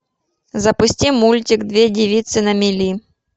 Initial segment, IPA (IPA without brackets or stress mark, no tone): z